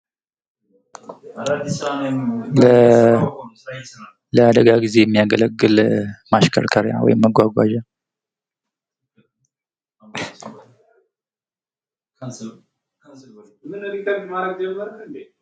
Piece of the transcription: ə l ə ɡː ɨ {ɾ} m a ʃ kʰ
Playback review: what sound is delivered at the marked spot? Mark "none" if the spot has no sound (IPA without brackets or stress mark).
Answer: l